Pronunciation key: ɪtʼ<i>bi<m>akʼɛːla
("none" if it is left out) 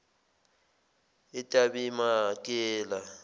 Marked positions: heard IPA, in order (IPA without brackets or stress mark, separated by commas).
a, m